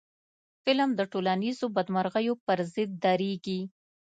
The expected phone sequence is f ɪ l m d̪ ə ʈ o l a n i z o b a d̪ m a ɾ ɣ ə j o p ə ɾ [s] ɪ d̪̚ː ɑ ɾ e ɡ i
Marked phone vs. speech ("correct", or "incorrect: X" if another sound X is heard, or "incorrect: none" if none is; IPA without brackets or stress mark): incorrect: z